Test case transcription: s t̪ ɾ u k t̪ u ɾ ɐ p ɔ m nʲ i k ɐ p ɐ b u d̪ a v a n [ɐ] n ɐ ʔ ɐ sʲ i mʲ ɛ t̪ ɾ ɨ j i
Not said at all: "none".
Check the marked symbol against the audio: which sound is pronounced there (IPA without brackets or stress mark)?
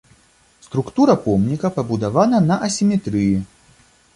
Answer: ɐ